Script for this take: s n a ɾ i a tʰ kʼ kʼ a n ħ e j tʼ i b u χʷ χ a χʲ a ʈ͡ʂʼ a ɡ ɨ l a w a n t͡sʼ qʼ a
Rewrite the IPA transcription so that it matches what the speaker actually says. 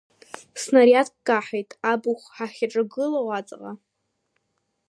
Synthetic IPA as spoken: s n a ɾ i a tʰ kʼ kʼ a ħ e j tʼ a b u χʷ ħ a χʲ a ʈ͡ʂʼ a ɡ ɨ l a w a t͡sʼ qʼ a